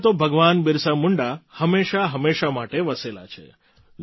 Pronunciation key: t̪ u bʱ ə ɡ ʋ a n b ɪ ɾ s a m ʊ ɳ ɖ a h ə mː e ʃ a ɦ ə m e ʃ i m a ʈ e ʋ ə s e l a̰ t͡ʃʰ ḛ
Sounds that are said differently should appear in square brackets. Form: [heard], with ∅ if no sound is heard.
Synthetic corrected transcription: t̪ [o] bʱ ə ɡ ʋ a n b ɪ ɾ s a m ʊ ɳ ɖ a h ə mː e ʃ a ɦ ə m e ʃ [a] m a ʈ e ʋ ə s e l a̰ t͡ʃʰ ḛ